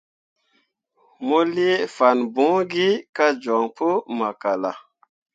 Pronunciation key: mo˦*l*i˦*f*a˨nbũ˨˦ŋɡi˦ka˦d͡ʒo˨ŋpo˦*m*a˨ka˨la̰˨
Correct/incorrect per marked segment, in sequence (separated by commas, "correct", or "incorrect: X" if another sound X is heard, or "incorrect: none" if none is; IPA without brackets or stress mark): correct, correct, correct